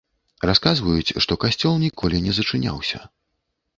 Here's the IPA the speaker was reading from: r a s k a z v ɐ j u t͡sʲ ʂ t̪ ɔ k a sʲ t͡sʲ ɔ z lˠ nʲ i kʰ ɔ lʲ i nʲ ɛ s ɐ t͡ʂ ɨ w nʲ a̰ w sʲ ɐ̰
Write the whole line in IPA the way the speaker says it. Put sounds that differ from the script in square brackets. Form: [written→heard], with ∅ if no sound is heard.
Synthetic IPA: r a s k a z v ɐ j u t͡sʲ ʂ t̪ ɔ k a sʲ t͡sʲ ɔ [z→∅] lˠ nʲ i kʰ ɔ lʲ i nʲ ɛ [s→z] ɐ t͡ʂ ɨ [w→∅] nʲ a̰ w sʲ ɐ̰

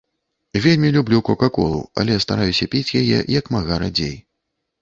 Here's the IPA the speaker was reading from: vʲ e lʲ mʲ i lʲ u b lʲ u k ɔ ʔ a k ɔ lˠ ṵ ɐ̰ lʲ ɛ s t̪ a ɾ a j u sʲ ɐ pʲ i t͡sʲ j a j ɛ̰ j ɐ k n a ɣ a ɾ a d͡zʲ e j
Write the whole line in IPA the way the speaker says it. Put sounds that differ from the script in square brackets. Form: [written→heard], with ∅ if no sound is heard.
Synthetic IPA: vʲ e lʲ mʲ i lʲ u b lʲ u k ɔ [ʔ→k] a k ɔ lˠ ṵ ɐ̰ lʲ ɛ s t̪ a ɾ a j u sʲ ɐ pʲ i t͡sʲ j a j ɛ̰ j ɐ k [n→m] a ɣ a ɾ a d͡zʲ e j

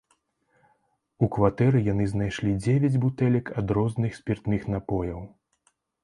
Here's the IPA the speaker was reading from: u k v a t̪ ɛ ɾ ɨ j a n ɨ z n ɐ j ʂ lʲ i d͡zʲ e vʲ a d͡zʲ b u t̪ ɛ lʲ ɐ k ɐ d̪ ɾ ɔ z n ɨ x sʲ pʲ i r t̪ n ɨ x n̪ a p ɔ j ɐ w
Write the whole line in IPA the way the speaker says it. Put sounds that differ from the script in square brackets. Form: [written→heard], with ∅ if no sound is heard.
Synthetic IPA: u k v a t̪ ɛ ɾ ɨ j a n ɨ z n [ɐ→a] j ʂ lʲ i d͡zʲ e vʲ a d͡zʲ b u t̪ ɛ lʲ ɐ k ɐ d̪ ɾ ɔ z n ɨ x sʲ pʲ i r t̪ n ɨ x n̪ a p ɔ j ɐ w

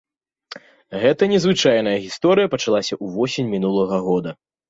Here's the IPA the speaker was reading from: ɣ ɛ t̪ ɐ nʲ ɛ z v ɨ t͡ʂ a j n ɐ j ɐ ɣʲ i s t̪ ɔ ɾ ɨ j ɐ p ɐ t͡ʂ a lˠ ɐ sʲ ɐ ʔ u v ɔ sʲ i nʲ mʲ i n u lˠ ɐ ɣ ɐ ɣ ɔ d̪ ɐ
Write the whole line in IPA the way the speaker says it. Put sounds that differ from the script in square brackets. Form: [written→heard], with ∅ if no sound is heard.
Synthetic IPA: ɣ ɛ t̪ ɐ nʲ ɛ z v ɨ t͡ʂ a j n ɐ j ɐ ɣʲ i s t̪ ɔ ɾ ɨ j ɐ p ɐ t͡ʂ a lˠ [ɐ→a] sʲ ɐ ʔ u v ɔ sʲ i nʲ mʲ i n u lˠ ɐ ɣ ɐ ɣ ɔ d̪ ɐ

